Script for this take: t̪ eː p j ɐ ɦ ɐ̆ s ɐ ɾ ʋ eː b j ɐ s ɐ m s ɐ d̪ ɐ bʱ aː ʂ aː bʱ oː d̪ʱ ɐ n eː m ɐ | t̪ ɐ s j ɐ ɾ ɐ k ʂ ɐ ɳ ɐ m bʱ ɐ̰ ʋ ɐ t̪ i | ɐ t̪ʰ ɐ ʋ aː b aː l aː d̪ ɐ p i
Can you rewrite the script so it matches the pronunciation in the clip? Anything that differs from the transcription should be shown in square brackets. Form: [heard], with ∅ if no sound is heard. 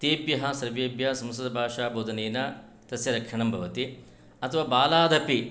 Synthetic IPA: t̪ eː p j ɐ ɦ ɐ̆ s ɐ ɾ ʋ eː b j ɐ s ɐ m s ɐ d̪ ɐ bʱ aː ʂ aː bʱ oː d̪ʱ ɐ n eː [n] ɐ | t̪ ɐ s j ɐ ɾ ɐ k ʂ ɐ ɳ ɐ m bʱ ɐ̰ ʋ ɐ t̪ i | ɐ t̪ʰ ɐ ʋ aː b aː l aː d̪ ɐ p i